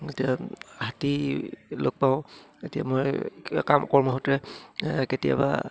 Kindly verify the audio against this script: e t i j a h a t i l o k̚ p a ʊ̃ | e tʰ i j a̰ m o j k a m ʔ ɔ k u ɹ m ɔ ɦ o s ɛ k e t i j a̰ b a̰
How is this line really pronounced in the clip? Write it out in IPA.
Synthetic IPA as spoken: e t i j a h a t i l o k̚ p a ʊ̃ | e t i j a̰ m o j k a m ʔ ɔ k ɔ ɹ m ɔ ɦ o t ɛ k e t i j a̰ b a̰